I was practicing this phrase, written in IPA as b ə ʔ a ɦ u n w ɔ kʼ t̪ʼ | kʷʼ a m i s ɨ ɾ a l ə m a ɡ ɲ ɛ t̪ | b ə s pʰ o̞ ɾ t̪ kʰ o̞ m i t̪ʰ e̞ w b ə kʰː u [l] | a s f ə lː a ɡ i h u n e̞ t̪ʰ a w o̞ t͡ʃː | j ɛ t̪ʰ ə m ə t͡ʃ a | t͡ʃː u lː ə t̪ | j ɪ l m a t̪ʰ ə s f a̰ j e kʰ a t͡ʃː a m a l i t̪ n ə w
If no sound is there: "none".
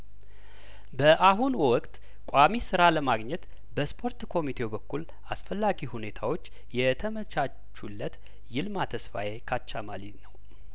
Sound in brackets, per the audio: l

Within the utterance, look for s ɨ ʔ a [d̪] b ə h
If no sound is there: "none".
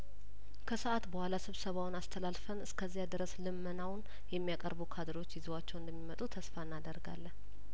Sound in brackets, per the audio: t̪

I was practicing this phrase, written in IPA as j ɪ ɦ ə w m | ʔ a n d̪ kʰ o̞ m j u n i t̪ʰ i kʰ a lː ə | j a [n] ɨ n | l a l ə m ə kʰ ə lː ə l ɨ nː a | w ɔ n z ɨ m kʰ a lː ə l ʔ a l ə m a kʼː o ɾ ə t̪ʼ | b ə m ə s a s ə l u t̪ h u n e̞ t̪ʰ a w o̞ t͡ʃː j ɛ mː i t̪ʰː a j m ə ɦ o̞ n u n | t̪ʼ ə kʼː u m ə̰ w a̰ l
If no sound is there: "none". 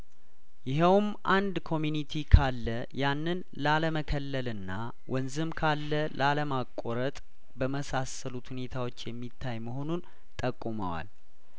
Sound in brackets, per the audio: nː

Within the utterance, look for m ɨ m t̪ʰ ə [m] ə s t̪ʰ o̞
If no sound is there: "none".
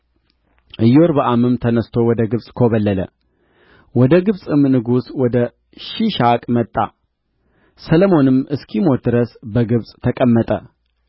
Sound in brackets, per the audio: n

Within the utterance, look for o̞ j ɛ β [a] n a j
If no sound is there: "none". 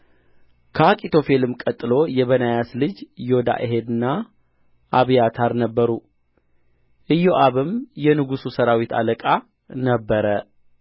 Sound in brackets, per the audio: ə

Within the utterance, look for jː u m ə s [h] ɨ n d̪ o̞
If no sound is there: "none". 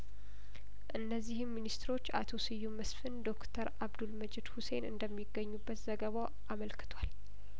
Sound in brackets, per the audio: f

